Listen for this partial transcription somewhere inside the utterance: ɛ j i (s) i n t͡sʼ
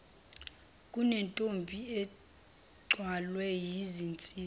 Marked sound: incorrect: z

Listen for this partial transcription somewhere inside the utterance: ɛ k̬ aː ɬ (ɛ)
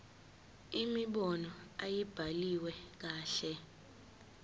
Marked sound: correct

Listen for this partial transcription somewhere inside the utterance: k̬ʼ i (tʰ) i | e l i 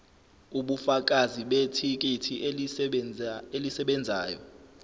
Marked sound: correct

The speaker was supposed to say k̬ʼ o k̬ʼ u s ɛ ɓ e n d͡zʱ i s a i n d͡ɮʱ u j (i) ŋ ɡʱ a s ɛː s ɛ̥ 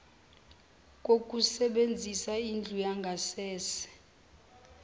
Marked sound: incorrect: a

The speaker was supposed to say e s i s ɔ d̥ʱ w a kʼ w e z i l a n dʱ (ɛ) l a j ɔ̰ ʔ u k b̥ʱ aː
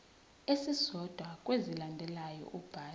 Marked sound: correct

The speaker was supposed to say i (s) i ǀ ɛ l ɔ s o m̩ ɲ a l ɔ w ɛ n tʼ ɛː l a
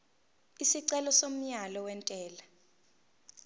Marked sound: correct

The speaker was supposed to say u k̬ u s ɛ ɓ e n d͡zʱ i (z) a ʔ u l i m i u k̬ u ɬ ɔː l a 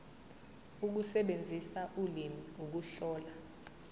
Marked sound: incorrect: s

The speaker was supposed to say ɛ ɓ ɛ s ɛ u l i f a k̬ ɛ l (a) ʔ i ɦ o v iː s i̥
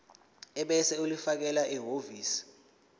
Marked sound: correct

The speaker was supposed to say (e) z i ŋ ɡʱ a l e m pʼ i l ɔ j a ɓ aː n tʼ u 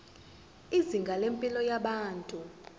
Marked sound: incorrect: i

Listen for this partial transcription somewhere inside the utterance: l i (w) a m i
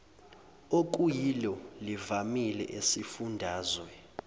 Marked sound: incorrect: v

